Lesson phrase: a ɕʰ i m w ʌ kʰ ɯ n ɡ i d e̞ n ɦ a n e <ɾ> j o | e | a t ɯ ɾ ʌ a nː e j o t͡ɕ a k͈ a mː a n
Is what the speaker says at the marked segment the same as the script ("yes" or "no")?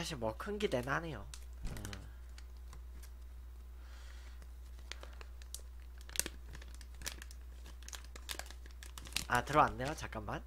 no